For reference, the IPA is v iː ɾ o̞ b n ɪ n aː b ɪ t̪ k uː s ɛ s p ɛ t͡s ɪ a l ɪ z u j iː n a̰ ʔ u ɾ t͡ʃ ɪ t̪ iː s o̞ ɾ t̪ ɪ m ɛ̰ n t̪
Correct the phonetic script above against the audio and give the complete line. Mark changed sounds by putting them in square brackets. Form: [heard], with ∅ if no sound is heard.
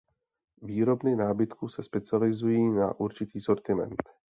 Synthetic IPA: v iː ɾ o̞ b n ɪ n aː b ɪ t̪ k uː s ɛ s p ɛ t͡s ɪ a l ɪ z u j iː n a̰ ʔ u ɾ t͡ʃ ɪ t̪ iː s o̞ ɾ t̪ ɪ m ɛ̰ n t̪